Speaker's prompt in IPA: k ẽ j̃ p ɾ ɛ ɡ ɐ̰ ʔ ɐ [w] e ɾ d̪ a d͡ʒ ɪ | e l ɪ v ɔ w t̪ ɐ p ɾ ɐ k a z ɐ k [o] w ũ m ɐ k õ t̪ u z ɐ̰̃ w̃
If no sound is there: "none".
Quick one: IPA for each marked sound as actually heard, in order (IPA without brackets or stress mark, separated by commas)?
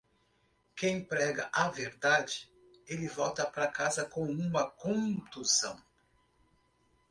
v, õ